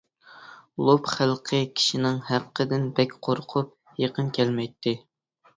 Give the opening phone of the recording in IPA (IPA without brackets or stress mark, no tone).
lˠ